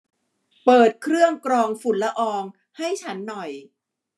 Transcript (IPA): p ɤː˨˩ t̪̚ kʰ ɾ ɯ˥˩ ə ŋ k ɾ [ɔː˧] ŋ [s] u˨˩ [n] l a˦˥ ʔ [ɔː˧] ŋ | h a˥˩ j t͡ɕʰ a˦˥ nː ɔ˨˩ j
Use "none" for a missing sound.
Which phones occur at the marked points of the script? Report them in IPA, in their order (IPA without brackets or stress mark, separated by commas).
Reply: ɔː˧, f, n, ɔː˧